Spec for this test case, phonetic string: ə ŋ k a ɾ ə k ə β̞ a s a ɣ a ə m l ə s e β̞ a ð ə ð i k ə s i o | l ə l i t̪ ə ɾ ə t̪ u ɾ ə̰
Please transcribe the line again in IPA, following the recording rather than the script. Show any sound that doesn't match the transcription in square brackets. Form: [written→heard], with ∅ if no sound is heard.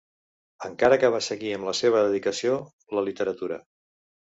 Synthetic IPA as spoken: ə ŋ k a ɾ ə k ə β̞ a s [a→ə] ɣ [a→i] ə m l ə s e β̞ [a→ə] ð ə ð i k ə s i o | l ə l i t̪ ə ɾ ə t̪ u ɾ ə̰

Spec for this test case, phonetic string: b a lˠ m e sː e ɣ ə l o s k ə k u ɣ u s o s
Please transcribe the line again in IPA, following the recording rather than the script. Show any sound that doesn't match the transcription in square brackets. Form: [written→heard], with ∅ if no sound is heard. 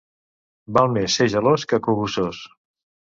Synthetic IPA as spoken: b a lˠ m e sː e [ɣ→ʒ] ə l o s k ə k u ɣ u s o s

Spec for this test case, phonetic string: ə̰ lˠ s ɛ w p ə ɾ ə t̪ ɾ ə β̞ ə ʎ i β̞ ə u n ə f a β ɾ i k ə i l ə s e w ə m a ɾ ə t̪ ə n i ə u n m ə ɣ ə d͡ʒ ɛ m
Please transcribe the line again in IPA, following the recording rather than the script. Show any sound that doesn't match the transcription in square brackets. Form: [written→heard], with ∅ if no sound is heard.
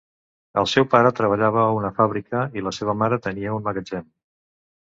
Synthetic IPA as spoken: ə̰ lˠ s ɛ w p [ə→a] ɾ ə t̪ ɾ ə β̞ ə ʎ [i→a] β̞ ə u n ə f a β ɾ i k ə i l ə s e [w→β] ə m a ɾ ə t̪ ə n i ə u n m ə ɣ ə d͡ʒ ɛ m

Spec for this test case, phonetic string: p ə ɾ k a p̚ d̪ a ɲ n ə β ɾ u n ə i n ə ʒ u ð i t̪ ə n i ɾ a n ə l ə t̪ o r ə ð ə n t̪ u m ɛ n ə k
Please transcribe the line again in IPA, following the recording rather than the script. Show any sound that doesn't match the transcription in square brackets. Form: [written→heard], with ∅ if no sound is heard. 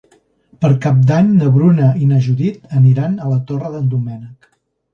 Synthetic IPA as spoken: p ə ɾ k a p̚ d̪ a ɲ n ə β ɾ u n ə i n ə ʒ u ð i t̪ ə n i ɾ a n ə l ə t̪ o r ə ð ə n [t̪→d̪] u m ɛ n ə k

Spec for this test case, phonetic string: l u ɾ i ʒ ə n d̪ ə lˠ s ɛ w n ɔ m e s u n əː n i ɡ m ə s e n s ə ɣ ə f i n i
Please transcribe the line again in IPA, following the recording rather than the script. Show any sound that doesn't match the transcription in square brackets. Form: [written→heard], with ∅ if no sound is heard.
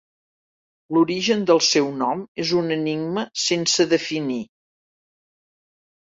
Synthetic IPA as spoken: l u ɾ i ʒ ə n d̪ ə lˠ s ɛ w n ɔ m e [s→z] u n [əː→ə] n i ɡ m ə s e n s ə [ɣ→ð] ə f i n i

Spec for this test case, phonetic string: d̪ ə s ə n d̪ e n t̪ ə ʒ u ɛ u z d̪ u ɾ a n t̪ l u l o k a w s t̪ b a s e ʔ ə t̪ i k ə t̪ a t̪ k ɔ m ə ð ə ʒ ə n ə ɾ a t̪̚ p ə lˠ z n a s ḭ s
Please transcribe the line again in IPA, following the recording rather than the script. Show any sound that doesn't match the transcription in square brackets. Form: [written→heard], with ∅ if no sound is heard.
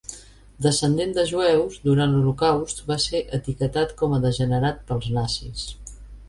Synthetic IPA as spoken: d̪ ə s ə n d̪ e n [t̪→d̪] ə ʒ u ɛ [u→w] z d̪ u ɾ a n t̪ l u l [o→u] k a w s t̪ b a s e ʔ ə t̪ i k ə t̪ a t̪ k ɔ m ə ð ə ʒ ə n ə ɾ a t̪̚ p ə lˠ z n a s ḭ s

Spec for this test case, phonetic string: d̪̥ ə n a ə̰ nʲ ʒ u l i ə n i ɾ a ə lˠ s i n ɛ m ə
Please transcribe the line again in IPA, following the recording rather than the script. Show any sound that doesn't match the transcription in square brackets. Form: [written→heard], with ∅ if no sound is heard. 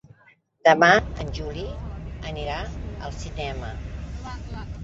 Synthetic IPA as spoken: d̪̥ ə [n→m] a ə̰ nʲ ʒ u l i ə n i ɾ a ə lˠ s i n ɛ m ə

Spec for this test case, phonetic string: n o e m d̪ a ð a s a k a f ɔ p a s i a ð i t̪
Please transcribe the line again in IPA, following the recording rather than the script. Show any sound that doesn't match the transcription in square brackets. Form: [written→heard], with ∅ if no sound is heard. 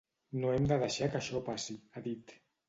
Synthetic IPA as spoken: n o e m d̪ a ð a [s→ʃ] a k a [f→ʃ] ɔ p a s i a ð i t̪

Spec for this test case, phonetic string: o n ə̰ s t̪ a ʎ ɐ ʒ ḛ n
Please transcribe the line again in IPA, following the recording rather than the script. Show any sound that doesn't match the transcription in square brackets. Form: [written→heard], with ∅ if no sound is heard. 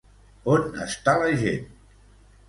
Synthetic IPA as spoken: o n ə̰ s t̪ a [ʎ→l] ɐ ʒ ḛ n

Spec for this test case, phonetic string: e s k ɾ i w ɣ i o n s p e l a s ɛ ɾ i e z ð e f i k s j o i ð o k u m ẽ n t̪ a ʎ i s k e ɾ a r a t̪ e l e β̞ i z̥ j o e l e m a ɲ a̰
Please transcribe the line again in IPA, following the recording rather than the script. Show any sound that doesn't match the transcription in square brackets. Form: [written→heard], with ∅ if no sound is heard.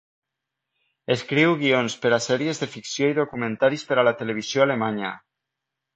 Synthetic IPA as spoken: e s k ɾ i w ɣ i o n s p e [l→ɾ] a s ɛ ɾ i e z ð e f i k s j o i ð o k u m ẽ n t̪ a [ʎ→ɾ] i s [k→p] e ɾ a [r→l] a t̪ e l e β̞ i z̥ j o [e→a] l e m a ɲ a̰

